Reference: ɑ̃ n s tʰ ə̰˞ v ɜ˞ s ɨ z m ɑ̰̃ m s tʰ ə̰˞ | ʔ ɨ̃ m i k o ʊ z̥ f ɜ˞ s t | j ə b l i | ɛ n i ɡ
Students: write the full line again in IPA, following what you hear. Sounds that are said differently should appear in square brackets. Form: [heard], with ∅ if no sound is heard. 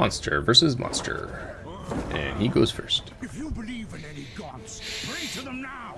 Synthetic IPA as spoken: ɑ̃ n s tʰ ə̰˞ v ɜ˞ s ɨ z m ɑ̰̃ [n] s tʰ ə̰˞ | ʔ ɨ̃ [n] i [ɡ] o ʊ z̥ f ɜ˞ s t | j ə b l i | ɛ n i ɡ